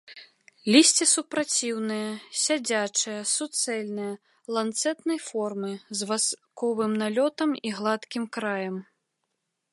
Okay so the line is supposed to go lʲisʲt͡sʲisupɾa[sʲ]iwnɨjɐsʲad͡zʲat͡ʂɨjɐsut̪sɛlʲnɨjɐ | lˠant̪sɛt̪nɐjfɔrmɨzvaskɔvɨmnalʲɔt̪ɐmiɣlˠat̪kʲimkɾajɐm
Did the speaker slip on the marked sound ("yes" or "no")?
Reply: yes